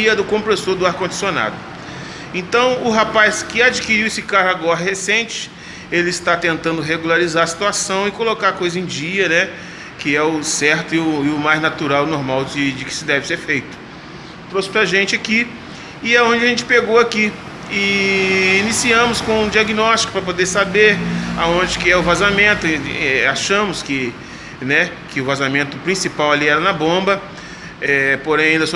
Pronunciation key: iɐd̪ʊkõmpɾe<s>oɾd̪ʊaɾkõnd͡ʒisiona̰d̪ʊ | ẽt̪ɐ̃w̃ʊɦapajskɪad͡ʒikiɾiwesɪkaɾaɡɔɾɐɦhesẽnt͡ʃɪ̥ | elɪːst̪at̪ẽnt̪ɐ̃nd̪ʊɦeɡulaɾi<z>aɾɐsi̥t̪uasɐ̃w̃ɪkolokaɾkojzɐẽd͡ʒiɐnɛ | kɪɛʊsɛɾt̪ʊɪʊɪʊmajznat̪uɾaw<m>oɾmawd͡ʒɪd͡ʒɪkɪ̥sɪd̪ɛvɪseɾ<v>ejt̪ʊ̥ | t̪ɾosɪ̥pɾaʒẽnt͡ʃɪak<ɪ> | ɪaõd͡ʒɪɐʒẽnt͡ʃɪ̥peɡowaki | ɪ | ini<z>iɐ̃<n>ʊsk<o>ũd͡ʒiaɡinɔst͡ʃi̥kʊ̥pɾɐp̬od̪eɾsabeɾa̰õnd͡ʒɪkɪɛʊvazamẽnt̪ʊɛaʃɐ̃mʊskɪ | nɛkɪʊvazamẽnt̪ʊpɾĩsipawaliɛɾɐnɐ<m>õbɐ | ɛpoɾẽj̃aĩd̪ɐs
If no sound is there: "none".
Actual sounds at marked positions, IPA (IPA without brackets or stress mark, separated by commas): s, z, n, f, i, s, m, õ, b